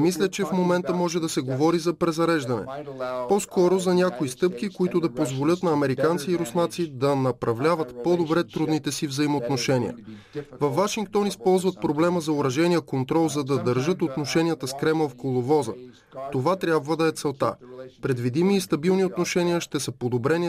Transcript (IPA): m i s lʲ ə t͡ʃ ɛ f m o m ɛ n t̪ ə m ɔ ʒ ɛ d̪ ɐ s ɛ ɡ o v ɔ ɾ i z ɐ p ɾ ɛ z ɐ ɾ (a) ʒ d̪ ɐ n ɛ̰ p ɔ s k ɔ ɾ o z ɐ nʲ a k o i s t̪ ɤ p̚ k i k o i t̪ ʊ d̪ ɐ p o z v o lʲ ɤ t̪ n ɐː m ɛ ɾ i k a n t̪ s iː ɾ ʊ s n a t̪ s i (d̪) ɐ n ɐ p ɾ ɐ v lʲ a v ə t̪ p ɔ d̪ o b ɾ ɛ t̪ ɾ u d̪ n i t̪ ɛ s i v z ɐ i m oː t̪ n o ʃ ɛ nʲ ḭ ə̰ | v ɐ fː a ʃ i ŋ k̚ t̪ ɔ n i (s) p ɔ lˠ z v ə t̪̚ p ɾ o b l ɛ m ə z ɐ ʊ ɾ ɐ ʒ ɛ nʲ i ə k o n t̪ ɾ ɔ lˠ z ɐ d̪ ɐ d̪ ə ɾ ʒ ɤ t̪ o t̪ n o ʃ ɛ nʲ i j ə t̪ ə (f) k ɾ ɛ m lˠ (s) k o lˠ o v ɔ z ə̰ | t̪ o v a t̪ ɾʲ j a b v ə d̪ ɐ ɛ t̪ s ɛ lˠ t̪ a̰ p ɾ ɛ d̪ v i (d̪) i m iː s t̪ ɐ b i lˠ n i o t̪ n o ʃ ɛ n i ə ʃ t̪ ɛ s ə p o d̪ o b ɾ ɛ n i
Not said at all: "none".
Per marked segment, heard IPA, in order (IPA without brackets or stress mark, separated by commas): ɛ, d̪, s, s, f, d̪